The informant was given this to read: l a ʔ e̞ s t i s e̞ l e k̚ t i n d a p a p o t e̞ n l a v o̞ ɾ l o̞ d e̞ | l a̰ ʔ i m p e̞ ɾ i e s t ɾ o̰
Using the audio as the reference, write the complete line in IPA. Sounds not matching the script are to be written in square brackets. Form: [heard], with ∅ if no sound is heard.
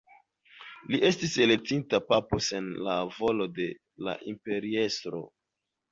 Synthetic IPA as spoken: l [i] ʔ e̞ s t i s e̞ l e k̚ t i n [t] a p a p o [s] e̞ n l a v o̞ [∅] l o̞ d e̞ | l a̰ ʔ i m p e̞ ɾ i e s t ɾ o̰